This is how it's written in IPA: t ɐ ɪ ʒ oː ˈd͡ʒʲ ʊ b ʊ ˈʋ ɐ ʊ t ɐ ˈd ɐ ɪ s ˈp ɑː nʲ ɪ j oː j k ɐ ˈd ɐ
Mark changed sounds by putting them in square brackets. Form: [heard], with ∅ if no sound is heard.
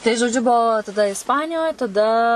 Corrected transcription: t ɐ ɪ ʒ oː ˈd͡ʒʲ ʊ b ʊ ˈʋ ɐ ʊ t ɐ ˈd ɐ ɪ s ˈp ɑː nʲ ɪ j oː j [t] ɐ ˈd ɐ

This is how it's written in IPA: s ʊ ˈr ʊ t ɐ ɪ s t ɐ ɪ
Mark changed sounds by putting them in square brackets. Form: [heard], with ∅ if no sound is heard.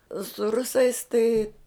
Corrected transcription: s ʊ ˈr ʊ [s] ɐ ɪ s t ɐ ɪ

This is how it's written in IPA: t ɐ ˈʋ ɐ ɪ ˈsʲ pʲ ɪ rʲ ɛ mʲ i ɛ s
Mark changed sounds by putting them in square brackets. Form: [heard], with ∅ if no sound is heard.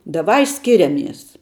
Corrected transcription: [d] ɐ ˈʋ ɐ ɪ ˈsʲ [kʲ] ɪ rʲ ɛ mʲ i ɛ s

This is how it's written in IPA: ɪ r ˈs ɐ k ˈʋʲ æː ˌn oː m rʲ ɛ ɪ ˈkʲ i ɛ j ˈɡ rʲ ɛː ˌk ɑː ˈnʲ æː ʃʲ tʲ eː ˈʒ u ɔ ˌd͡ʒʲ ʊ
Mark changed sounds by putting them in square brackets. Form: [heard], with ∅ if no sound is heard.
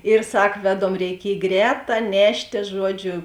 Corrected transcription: ɪ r ˈs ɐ k ˈʋʲ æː [ˌd] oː m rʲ ɛ ɪ ˈkʲ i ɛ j ˈɡ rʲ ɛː [ˌt] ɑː ˈnʲ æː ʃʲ tʲ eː ˈʒ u ɔ ˌd͡ʒʲ ʊ

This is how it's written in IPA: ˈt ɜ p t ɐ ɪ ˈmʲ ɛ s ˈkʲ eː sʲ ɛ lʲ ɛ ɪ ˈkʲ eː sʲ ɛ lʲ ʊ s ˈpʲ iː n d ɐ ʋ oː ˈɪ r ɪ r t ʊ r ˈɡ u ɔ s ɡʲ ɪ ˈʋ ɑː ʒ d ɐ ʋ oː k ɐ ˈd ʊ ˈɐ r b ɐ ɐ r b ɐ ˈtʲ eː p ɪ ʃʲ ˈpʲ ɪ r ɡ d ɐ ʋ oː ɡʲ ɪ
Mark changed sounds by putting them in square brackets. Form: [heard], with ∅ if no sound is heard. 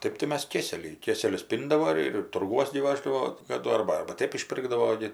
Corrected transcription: ˈt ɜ p t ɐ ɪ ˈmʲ ɛ s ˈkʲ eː sʲ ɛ lʲ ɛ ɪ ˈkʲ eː sʲ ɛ lʲ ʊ s ˈpʲ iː n d ɐ ʋ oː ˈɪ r ɪ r t ʊ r ˈɡ u ɔ s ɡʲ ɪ ˈʋ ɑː ʒ d ɐ ʋ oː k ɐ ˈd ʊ ˈɐ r b ɐ ɐ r b ɐ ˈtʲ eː p ɪ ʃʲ ˈpʲ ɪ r ɡ d ɐ ʋ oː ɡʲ ɪ

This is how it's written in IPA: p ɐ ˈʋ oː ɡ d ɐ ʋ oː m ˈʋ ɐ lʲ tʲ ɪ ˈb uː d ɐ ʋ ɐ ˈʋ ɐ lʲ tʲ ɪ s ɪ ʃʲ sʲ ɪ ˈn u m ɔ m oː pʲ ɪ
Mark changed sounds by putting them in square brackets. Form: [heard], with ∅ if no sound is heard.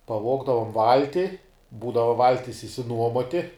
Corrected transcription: p ɐ ˈʋ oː ɡ d ɐ ʋ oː m ˈʋ ɐ lʲ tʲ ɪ ˈb uː d ɐ ʋ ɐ ˈʋ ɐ lʲ tʲ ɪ s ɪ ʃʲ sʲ ɪ ˈn u [∅] ɔ m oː [tʲ] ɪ

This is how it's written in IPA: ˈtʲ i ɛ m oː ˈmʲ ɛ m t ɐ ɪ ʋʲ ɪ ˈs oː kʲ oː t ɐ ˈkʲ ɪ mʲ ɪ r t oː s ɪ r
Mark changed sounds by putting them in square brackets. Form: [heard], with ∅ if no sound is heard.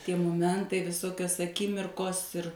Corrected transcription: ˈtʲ i ɛ m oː ˈmʲ ɛ [n] t ɐ ɪ ʋʲ ɪ ˈs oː kʲ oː [s] ɐ ˈkʲ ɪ mʲ ɪ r [k] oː s ɪ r

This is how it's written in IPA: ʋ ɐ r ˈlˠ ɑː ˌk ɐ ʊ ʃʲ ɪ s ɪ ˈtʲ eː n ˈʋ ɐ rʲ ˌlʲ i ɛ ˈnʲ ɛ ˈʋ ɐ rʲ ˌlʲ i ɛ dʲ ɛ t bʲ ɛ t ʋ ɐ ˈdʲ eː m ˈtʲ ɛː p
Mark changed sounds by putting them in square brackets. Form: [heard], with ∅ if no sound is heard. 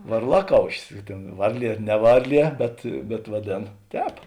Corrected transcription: ʋ ɐ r ˈlˠ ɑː ˌk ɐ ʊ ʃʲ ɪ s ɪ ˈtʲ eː n ˈʋ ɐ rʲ ˌlʲ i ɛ ˈnʲ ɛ ˈʋ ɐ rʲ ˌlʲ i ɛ [bʲ] ɛ t bʲ ɛ t ʋ ɐ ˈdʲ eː [n] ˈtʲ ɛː p

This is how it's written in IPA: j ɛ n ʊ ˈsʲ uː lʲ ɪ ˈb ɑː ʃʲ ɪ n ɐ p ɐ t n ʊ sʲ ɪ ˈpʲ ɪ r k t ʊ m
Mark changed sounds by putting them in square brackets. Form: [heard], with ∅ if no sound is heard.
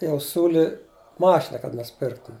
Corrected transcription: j ɛ [∅] ʊ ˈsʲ uː lʲ ɪ [ˈm] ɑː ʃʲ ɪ n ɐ [k] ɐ t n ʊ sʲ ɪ ˈpʲ ɪ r k t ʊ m

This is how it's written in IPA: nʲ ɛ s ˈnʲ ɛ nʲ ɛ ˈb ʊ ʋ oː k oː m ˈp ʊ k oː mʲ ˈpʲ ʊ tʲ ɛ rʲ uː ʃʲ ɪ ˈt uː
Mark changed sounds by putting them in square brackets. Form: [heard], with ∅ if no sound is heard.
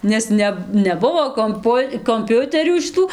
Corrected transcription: nʲ ɛ s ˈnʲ ɛ nʲ ɛ ˈb ʊ ʋ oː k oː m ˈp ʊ k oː mʲ ˈpʲ ʊ tʲ ɛ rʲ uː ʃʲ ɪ ˈt uː

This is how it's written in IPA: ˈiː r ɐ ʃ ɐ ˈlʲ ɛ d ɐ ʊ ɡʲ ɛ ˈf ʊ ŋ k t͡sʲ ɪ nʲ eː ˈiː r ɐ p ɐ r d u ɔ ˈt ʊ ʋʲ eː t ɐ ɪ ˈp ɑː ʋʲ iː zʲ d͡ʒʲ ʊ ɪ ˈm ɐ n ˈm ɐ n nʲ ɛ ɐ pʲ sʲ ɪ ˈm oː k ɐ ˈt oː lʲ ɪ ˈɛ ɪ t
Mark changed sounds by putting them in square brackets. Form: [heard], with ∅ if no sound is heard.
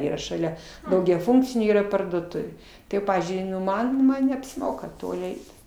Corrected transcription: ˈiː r ɐ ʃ ɐ ˈlʲ ɛ d ɐ ʊ ɡʲ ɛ ˈf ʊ ŋ k t͡sʲ ɪ nʲ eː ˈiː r ɐ p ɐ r d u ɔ ˈt ʊ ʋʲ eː t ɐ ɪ ˈp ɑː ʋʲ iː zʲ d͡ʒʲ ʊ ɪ ˈm ɐ n ˈm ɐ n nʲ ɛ ɐ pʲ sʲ ɪ ˈm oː k ɐ ˈt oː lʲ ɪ ˈɛ ɪ t

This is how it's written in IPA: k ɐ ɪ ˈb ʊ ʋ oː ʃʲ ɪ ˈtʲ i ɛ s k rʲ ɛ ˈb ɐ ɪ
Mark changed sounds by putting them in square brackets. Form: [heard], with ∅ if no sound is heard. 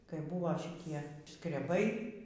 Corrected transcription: k ɐ ɪ ˈb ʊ ʋ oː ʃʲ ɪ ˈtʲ i ɛ s k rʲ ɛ ˈb ɐ ɪ

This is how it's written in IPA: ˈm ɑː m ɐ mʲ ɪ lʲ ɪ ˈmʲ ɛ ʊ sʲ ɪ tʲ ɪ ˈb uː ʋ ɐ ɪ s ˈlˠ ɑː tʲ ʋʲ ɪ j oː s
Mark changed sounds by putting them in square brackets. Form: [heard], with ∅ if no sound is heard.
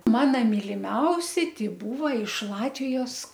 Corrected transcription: ˈm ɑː [n] ɐ mʲ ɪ lʲ ɪ ˈmʲ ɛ ʊ sʲ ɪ tʲ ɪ ˈb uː ʋ ɐ ɪ [ʃ] ˈlˠ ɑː tʲ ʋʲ ɪ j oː s

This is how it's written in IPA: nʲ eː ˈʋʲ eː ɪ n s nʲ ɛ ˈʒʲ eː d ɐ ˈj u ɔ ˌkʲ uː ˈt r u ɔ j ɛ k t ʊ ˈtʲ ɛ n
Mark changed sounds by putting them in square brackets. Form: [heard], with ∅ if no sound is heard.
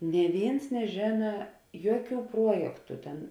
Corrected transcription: nʲ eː ˈʋʲ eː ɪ n s nʲ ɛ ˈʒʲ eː [n] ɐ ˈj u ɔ ˌkʲ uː [ˈp] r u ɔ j ɛ k t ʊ ˈtʲ ɛ n

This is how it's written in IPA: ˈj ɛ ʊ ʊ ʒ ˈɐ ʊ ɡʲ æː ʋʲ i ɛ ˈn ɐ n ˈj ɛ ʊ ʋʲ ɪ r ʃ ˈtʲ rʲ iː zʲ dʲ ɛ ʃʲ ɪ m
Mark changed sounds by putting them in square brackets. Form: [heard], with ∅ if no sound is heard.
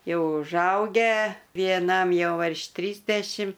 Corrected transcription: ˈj ɛ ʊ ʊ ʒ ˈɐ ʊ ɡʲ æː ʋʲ i ɛ ˈn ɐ [m] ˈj ɛ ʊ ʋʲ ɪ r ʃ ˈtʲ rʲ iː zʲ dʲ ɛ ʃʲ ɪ m

